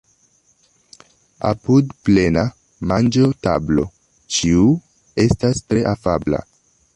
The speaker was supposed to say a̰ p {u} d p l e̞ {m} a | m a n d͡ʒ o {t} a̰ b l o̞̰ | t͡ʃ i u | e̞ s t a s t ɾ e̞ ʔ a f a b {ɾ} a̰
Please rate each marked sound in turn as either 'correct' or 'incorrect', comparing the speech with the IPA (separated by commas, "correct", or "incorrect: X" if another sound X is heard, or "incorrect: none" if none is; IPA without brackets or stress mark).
correct, incorrect: n, correct, incorrect: l